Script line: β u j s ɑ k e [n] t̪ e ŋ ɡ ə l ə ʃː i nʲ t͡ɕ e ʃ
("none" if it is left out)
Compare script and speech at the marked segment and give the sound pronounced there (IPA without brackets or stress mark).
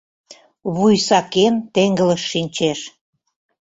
n